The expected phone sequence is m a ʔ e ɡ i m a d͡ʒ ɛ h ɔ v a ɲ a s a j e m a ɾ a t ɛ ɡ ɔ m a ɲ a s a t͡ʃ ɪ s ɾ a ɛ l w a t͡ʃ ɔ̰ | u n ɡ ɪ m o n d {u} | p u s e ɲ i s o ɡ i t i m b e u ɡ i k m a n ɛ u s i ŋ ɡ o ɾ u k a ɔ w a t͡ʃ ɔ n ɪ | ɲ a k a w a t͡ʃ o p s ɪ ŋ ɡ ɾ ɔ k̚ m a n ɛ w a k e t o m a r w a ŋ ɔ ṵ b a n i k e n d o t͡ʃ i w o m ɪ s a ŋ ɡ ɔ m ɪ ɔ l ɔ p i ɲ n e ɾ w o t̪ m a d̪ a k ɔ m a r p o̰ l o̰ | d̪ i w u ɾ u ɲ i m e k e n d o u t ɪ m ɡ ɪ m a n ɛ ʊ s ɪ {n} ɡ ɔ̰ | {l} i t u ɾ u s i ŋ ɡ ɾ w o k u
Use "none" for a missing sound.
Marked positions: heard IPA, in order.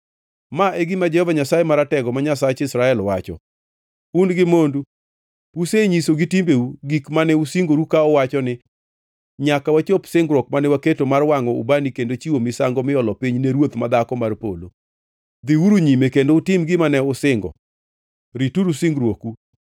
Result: u, ŋ, ɾ

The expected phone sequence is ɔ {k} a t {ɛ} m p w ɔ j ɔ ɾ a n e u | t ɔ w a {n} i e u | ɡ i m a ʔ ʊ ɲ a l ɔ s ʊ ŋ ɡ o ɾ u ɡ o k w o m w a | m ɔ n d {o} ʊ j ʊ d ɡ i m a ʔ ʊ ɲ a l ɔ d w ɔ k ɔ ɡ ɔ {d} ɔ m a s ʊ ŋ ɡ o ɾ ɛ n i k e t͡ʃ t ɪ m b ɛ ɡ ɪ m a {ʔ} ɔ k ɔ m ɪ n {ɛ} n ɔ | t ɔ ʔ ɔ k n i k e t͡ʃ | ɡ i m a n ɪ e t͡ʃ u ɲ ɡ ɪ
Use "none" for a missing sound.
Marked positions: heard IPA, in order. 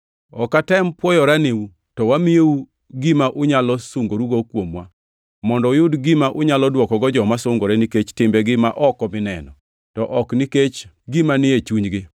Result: k, ɛ, m, ɔ, d͡ʒ, ʔ, ɛ

